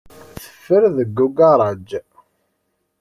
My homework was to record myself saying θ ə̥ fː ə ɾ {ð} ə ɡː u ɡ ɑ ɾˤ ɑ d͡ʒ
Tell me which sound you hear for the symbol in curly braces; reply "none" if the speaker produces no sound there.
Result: ð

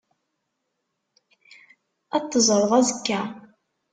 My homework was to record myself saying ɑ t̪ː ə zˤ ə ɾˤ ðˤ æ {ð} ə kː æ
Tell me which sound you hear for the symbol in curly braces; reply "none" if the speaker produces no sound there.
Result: z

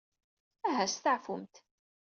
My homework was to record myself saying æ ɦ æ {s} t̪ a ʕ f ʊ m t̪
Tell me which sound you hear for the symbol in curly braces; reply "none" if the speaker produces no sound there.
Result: s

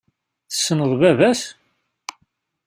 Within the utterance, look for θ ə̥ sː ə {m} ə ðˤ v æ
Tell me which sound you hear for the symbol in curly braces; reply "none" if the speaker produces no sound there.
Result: n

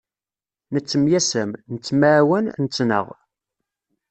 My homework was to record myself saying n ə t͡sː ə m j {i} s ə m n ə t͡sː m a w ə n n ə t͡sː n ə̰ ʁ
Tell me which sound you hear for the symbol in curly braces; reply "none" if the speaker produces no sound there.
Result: æ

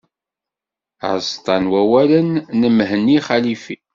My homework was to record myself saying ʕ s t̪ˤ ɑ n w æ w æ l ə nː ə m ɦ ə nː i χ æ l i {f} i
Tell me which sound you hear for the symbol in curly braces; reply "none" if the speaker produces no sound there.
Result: f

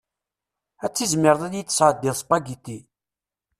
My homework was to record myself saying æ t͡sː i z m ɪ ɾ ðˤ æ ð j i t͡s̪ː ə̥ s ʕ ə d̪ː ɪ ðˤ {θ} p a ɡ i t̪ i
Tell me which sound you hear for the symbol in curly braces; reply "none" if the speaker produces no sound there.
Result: s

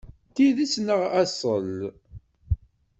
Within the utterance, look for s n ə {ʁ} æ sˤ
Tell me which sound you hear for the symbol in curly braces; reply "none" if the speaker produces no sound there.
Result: ʁ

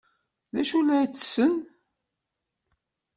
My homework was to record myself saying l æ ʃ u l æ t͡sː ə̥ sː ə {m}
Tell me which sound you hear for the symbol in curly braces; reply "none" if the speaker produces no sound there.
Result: n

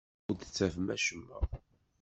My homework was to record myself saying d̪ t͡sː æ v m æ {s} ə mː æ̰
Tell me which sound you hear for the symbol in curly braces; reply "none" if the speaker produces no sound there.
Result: ʃ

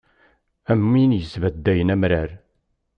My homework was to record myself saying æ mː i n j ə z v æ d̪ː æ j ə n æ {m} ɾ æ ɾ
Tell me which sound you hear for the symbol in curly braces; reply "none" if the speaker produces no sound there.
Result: m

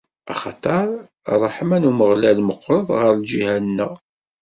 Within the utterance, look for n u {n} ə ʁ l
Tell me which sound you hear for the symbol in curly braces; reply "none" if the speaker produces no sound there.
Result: m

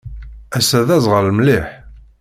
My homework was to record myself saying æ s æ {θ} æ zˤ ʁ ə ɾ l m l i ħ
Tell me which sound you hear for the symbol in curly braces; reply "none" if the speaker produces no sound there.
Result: ð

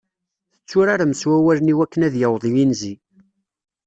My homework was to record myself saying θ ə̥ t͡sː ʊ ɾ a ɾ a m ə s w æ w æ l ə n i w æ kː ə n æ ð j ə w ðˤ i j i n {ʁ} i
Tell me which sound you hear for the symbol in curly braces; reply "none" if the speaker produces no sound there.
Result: z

